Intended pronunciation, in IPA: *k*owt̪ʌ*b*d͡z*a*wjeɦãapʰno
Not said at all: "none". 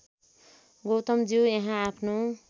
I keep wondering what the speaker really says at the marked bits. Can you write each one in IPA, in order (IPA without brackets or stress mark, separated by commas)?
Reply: ɡ, m, i